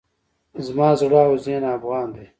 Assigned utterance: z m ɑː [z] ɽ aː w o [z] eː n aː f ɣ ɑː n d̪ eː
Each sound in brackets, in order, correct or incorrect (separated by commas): correct, correct